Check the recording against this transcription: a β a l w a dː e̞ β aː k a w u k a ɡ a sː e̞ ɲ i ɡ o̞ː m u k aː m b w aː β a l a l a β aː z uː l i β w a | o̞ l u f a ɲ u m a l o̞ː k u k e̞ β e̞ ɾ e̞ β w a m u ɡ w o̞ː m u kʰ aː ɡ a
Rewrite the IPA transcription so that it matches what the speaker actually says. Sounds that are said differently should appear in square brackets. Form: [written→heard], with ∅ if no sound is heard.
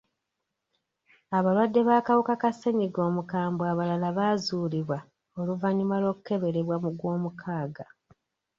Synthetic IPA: a β a l w a dː e̞ β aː k a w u k a [ɡ→k] a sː e̞ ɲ i ɡ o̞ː m u k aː m b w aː β a l a l a β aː z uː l i β w a | o̞ l u [f→v] a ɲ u m a l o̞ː k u k e̞ β e̞ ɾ e̞ β w a m u ɡ w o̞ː m u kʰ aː ɡ a